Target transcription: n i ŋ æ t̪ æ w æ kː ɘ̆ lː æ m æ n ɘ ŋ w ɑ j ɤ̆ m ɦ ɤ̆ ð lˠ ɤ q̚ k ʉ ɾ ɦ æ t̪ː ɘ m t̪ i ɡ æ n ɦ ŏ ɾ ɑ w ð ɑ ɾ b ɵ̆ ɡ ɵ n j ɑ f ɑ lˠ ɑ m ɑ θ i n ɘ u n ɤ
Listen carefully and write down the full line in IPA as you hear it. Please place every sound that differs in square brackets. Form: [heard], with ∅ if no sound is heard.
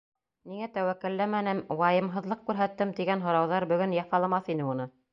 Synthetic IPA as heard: n i ŋ æ t̪ æ w æ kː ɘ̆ lː æ m æ n ɘ [m] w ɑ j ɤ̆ m ɦ ɤ̆ ð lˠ ɤ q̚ k ʉ ɾ ɦ æ t̪ː ɘ m t̪ i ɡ æ n ɦ ŏ ɾ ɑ w ð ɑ ɾ b ɵ̆ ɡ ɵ n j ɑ f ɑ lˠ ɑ m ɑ θ i n ɘ u n ɤ